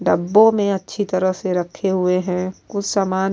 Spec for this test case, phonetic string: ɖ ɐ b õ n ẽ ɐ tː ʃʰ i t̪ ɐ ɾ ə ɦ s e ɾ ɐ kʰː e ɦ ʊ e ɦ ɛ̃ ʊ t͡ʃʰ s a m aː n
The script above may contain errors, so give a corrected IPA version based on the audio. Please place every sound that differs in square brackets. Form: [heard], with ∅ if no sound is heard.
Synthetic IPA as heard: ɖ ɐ [bː] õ [m] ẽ ɐ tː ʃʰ i t̪ ɐ ɾ ə ɦ s e ɾ ɐ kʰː e ɦ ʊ e ɦ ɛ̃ ʊ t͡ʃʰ s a m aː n